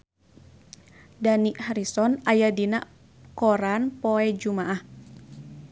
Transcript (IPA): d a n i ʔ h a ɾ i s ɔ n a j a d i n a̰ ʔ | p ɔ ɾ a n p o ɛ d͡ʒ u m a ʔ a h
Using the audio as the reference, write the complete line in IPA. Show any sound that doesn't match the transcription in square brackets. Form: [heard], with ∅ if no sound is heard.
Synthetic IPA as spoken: d a n i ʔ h a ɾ i s ɔ n a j a d i n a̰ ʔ | [k] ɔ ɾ a n p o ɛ d͡ʒ u m a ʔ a h